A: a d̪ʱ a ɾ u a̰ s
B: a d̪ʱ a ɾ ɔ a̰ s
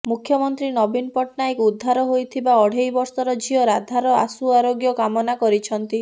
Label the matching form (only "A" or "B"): B